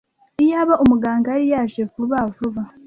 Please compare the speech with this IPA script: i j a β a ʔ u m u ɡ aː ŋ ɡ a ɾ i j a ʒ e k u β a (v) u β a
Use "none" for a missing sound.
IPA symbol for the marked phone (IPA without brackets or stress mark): v